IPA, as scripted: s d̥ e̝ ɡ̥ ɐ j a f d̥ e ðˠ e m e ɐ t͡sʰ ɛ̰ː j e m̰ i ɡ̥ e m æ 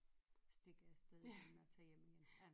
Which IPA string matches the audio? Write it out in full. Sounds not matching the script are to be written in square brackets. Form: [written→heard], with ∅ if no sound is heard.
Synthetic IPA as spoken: s d̥ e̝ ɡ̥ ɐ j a [f→s] d̥ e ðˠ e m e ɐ t͡sʰ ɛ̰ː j e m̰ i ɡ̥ e [m→n] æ